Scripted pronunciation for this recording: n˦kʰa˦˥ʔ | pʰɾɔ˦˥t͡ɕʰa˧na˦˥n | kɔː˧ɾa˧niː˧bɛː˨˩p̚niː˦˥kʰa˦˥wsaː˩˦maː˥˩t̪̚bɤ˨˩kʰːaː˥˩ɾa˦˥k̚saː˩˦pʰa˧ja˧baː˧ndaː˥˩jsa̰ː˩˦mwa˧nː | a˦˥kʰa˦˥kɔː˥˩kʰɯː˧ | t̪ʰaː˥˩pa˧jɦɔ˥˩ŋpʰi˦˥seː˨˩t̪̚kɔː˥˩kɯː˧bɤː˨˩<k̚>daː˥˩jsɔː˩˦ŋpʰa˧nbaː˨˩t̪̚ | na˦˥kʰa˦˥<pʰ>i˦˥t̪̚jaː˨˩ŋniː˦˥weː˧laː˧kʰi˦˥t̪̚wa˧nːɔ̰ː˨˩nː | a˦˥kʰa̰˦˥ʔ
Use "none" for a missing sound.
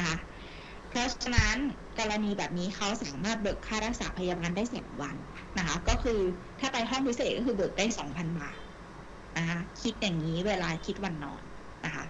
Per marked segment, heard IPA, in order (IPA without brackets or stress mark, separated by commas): k̚, kʰ